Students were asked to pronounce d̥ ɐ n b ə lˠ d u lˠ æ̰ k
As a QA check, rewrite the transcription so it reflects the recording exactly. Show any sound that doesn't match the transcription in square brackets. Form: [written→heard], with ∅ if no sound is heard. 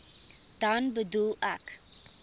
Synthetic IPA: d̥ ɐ n b ə [lˠ→∅] d u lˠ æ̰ k